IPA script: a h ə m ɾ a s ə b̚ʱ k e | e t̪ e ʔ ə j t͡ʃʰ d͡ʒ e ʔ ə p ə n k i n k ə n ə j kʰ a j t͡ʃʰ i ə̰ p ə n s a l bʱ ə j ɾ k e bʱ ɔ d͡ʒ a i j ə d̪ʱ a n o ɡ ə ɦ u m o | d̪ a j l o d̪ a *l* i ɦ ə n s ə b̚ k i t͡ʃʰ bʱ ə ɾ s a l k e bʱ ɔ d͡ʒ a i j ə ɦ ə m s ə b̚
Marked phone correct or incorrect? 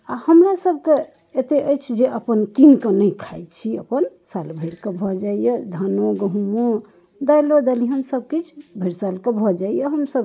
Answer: correct